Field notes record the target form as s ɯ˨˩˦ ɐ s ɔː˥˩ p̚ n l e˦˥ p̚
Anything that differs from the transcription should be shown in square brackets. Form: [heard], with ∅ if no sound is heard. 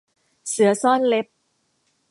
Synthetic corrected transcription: s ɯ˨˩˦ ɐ s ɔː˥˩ [∅] n l e˦˥ p̚